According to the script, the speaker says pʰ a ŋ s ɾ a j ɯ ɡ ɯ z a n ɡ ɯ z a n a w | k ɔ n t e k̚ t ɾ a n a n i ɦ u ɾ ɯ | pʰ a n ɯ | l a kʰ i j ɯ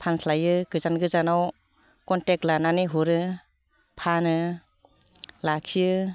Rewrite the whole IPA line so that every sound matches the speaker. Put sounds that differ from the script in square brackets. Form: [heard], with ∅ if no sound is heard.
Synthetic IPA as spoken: pʰ a [n] s [l] a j ɯ ɡ ɯ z a n ɡ ɯ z a n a w | k ɔ n t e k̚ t [l] a n a n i ɦ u ɾ ɯ | pʰ a n ɯ | l a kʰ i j ɯ

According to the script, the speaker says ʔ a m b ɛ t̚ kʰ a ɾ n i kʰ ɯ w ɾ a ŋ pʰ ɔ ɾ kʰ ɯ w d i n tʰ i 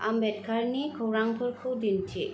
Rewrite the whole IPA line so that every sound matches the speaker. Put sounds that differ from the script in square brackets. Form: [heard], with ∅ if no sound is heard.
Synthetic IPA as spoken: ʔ a m b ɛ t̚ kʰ a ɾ n i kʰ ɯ w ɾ a ŋ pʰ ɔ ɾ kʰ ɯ w d i n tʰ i

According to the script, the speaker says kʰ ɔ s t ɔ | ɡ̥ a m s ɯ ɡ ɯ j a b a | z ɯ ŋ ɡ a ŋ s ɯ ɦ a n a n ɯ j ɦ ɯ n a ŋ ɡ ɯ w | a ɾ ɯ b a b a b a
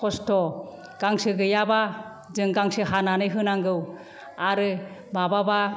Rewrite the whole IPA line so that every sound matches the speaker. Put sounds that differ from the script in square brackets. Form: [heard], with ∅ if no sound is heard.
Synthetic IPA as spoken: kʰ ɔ s t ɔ | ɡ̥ a [ŋ] s ɯ ɡ ɯ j a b a | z ɯ ŋ ɡ a ŋ s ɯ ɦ a n a n ɯ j ɦ ɯ n a ŋ ɡ ɯ w | a ɾ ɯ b a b a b a

